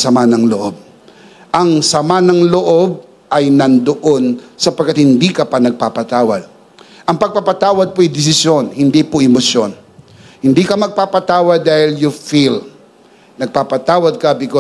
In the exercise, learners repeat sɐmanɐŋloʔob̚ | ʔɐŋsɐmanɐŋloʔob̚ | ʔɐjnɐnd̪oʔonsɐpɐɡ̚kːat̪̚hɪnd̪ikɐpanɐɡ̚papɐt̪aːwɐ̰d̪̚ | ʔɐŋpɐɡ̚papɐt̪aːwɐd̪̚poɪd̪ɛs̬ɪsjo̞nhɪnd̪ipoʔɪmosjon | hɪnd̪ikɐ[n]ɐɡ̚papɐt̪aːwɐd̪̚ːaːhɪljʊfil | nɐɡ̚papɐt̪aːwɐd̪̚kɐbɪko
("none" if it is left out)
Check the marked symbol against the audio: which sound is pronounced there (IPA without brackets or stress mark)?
m